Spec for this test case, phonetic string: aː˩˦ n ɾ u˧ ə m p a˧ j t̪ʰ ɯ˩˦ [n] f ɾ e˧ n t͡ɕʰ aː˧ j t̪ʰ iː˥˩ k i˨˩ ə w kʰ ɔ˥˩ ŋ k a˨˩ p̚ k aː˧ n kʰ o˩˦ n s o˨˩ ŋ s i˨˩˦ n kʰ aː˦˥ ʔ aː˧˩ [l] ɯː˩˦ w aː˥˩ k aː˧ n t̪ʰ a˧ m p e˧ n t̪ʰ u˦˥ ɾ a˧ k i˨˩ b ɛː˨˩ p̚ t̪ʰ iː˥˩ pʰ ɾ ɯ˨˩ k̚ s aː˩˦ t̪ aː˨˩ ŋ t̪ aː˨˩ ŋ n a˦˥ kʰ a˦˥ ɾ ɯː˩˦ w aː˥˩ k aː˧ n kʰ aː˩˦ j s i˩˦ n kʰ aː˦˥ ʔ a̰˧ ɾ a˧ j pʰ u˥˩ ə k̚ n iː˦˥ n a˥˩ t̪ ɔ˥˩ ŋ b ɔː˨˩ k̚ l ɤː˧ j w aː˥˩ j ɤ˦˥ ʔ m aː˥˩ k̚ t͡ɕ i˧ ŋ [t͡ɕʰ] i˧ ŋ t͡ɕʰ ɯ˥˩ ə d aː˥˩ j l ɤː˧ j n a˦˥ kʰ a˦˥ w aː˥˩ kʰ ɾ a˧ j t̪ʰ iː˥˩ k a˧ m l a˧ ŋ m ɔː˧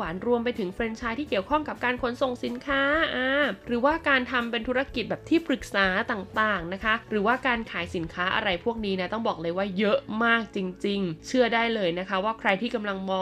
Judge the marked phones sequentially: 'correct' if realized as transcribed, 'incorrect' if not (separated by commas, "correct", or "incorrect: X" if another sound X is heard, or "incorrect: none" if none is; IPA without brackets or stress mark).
incorrect: ŋ, incorrect: ɾ, incorrect: t͡ɕ